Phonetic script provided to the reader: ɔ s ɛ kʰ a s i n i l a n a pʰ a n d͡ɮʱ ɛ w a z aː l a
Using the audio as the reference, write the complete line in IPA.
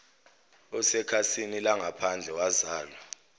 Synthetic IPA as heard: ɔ s ɛ kʰ a s i n i l a ŋ a pʰ a n d͡ɮʱ ɛ w a z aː l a